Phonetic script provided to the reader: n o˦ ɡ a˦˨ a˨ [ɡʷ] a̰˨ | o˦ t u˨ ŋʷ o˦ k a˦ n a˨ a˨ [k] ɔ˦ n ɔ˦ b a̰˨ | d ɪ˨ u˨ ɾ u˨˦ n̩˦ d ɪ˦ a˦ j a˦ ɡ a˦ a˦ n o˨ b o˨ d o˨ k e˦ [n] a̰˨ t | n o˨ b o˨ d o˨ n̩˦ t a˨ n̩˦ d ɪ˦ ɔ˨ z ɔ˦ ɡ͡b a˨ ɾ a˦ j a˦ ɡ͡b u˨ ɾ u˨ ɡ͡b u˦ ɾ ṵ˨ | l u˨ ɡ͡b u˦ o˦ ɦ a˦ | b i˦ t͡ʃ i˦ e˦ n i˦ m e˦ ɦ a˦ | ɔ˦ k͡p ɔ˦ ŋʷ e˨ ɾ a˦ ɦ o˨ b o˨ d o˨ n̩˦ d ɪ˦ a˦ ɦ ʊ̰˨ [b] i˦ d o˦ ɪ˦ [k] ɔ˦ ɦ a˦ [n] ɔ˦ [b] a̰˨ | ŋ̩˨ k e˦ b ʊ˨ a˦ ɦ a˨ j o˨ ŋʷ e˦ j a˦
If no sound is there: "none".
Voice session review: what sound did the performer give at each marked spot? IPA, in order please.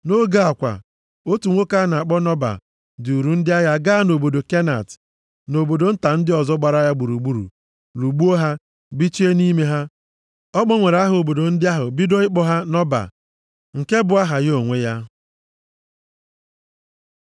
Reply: kʷ, k͡p, n, b, k͡p, n, b

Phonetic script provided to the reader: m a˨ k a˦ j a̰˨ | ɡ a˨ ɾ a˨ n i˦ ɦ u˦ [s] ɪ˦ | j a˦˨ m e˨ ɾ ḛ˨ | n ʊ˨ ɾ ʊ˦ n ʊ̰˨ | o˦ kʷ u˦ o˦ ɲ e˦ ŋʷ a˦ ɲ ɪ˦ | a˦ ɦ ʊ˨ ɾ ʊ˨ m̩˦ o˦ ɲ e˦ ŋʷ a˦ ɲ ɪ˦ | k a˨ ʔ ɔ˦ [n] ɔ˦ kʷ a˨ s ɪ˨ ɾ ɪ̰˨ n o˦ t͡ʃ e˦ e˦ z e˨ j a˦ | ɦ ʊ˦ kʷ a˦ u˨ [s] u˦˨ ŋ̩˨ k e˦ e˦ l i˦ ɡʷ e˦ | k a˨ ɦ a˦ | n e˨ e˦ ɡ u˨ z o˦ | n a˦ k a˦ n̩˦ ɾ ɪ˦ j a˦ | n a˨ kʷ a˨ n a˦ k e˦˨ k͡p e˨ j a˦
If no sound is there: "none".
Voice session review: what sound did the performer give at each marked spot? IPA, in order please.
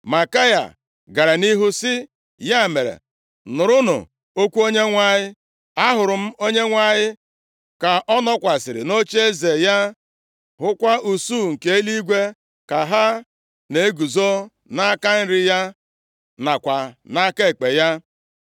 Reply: s, n, s

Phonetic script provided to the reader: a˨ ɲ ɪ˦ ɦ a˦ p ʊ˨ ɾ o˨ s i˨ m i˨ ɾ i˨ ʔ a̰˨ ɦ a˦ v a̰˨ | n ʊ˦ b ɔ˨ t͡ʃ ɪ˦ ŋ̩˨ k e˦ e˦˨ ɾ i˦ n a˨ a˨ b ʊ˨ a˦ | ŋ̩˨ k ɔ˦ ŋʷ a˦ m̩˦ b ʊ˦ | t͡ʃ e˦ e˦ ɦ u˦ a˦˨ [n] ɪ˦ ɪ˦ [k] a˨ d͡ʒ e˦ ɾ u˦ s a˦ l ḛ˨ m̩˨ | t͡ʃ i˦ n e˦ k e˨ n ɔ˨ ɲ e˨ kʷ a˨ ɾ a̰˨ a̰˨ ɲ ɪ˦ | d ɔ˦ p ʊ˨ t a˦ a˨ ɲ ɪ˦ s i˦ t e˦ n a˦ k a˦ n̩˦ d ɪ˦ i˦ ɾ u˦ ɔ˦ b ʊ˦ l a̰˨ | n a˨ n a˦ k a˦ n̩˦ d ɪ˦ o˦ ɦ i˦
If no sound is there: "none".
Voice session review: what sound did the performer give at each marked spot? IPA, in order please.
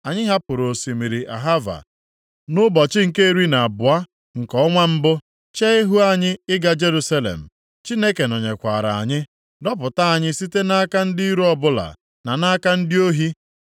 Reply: ɲ, ɡ

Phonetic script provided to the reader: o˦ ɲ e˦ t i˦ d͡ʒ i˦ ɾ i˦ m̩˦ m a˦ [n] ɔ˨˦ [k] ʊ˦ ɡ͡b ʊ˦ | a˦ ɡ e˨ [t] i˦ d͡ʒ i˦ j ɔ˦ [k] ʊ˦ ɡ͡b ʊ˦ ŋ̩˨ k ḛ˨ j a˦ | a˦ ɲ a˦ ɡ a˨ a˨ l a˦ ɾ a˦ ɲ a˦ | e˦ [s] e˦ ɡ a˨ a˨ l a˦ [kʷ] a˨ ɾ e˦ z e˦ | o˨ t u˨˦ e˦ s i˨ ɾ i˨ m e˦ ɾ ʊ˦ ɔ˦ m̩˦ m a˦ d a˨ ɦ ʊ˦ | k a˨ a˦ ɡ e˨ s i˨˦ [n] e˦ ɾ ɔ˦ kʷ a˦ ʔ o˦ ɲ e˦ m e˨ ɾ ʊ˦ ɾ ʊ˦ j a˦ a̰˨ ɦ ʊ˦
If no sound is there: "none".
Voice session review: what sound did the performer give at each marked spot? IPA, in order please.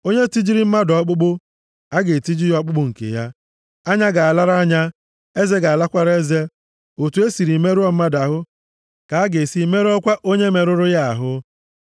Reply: d, k͡p, t, k͡p, z, kʷ, m

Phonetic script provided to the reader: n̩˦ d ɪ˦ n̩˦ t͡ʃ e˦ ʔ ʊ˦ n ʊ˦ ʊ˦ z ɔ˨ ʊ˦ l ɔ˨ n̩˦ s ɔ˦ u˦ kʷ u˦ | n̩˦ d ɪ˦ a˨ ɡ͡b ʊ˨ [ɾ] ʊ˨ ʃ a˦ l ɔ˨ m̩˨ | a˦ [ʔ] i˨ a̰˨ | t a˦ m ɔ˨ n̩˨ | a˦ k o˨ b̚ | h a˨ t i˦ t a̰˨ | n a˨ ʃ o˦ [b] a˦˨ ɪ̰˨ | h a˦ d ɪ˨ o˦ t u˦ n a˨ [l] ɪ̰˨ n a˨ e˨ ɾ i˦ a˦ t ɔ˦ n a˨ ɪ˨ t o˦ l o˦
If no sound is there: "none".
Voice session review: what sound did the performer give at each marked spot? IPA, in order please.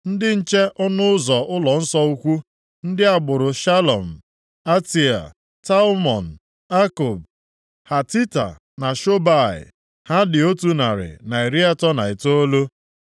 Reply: ɾ, t, b, ɾ

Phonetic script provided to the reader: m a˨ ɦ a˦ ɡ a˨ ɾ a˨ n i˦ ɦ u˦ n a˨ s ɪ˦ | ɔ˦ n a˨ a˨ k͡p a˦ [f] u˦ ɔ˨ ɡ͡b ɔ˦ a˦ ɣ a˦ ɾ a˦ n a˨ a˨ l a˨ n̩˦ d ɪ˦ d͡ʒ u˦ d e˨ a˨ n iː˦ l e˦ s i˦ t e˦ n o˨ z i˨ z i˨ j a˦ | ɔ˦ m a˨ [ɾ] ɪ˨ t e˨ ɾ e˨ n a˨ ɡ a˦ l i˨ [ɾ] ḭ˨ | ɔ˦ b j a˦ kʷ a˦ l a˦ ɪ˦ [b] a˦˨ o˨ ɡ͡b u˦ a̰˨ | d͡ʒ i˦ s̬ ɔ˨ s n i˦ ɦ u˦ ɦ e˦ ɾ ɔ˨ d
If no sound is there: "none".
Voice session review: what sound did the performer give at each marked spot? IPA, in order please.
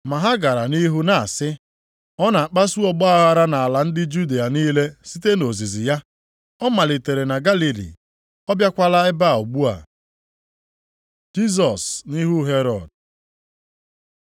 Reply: s, l, l, b

